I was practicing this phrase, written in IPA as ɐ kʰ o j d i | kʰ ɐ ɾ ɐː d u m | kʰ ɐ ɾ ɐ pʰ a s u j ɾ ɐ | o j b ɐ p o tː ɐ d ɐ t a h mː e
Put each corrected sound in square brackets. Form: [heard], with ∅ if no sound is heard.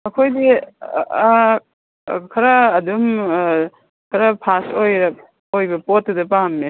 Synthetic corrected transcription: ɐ kʰ o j d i | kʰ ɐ ɾ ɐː d u m | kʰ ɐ ɾ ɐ pʰ a s [o] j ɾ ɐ | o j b ɐ p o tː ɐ d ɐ [p] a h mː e